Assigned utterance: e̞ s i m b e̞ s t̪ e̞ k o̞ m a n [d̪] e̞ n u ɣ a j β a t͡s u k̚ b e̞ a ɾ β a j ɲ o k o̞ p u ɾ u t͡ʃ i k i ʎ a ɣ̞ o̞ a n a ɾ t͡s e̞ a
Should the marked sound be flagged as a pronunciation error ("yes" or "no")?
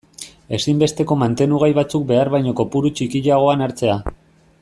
yes